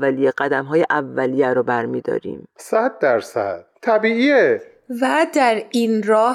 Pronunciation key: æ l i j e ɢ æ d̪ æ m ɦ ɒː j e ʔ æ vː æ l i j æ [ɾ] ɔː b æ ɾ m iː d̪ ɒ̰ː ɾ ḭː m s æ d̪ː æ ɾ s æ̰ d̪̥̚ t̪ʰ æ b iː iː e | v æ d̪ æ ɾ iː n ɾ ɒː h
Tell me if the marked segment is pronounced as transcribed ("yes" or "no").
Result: yes